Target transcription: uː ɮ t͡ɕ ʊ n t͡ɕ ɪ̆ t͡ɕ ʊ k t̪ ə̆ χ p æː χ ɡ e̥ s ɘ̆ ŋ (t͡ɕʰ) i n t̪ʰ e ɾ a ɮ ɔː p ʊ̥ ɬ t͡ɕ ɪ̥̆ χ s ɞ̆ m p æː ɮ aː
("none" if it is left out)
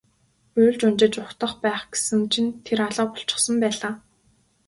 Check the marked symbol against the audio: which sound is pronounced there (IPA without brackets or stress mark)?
t͡ɕʰ